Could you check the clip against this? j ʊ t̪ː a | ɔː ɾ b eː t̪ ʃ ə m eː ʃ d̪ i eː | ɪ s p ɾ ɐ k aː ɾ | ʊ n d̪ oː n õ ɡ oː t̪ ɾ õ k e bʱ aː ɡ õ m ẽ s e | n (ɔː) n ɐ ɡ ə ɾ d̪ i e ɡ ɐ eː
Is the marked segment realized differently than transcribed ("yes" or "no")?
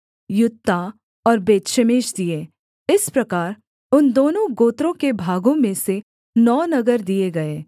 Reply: no